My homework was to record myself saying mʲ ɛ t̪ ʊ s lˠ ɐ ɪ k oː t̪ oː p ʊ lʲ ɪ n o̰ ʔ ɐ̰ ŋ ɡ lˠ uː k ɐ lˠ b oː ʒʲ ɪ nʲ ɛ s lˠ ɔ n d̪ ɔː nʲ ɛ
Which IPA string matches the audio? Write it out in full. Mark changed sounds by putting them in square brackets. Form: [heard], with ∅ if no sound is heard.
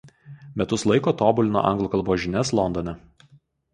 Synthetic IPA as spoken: mʲ ɛ t̪ ʊ s lˠ ɐ ɪ k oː t̪ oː [b] ʊ lʲ ɪ n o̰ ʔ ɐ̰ ŋ ɡ lˠ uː k ɐ lˠ b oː ʒʲ ɪ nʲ ɛ s lˠ ɔ n d̪ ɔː nʲ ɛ